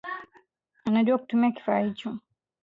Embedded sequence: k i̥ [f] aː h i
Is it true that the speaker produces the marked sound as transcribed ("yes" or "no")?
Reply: yes